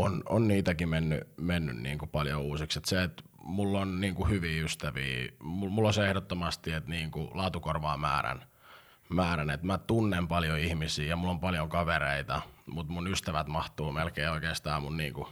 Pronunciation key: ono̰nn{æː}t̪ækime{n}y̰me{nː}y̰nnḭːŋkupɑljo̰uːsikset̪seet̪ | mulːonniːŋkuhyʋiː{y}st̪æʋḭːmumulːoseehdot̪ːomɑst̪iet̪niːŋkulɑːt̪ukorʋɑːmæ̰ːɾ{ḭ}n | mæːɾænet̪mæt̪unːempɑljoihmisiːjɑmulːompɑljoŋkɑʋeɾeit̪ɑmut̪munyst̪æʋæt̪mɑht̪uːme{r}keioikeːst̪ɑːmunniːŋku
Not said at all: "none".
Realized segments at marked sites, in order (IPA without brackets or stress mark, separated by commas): iː, nː, nː, y, æ̰, l